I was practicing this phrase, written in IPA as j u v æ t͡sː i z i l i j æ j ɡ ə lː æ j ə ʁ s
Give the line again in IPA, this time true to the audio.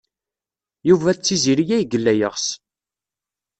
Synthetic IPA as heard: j u v æ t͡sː i z i ɾ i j æ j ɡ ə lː æ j ə ʁ s